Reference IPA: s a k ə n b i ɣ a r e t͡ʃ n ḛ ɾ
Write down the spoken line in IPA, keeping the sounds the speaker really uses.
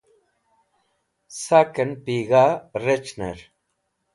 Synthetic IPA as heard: s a k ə n p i ɣ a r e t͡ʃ n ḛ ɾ